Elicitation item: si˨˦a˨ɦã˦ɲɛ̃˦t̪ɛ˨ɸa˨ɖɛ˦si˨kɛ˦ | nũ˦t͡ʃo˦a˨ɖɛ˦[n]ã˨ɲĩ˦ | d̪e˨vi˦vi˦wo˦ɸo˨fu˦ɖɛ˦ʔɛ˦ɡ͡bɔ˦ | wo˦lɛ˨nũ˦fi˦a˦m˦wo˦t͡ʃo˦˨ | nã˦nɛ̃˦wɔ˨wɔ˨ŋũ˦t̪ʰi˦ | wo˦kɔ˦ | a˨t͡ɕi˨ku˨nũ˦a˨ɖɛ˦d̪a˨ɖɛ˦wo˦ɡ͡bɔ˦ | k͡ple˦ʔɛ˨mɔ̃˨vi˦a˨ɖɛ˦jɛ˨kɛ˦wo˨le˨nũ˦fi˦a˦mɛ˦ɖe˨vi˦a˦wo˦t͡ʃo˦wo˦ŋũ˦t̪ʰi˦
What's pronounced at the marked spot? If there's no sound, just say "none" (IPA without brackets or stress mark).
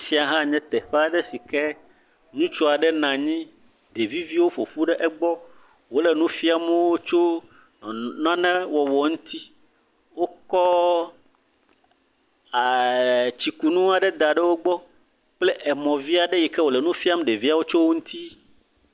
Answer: n